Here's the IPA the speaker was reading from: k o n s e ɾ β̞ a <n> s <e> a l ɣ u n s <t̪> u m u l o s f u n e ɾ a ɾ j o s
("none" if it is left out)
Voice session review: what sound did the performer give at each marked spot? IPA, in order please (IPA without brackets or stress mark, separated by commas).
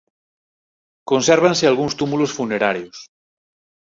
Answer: n, e, t̪